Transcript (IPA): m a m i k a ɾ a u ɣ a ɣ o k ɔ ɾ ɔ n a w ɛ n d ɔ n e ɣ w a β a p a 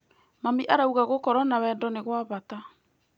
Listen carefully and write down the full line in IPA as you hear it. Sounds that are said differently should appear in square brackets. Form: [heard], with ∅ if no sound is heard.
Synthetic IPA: m a m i [ʔ] a ɾ a u ɣ a ɣ o k ɔ ɾ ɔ n a w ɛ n d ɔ n e ɣ w a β a [t] a